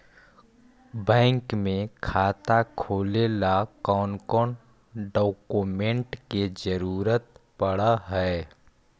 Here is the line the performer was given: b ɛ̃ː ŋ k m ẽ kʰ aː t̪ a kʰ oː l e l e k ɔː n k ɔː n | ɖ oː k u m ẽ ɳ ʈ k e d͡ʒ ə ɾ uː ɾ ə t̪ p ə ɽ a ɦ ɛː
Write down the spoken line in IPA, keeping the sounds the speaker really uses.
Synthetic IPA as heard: b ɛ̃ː ŋ k m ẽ kʰ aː t̪ a kʰ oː l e l a k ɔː n k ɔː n | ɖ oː k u m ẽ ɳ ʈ k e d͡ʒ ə ɾ uː ɾ ə t̪ p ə ɽ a ɦ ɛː